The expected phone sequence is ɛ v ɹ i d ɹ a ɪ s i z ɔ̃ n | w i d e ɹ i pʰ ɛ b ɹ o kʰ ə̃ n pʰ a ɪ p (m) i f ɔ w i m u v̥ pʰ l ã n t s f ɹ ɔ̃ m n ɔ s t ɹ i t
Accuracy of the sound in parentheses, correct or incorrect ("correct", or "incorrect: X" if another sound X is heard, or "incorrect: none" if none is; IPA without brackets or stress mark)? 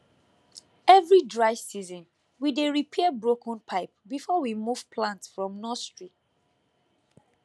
incorrect: b